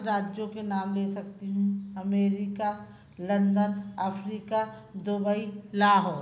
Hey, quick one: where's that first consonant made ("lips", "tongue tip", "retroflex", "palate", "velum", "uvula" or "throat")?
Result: tongue tip